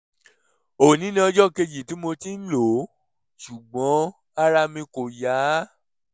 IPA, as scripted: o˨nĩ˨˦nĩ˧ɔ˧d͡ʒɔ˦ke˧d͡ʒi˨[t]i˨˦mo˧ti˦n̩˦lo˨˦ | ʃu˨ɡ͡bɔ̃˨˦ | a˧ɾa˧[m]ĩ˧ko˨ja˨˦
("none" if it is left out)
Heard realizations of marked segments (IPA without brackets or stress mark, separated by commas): t, m